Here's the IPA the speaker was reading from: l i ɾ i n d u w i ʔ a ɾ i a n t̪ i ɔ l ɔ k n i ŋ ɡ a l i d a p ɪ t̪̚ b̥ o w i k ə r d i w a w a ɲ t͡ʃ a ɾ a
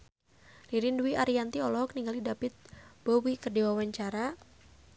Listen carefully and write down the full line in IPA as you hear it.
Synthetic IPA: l i ɾ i n d u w i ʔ a ɾ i a n t̪ i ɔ l ɔ k n i ŋ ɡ a l i d a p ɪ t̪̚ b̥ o w i k ə r d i w a w a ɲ t͡ʃ a ɾ a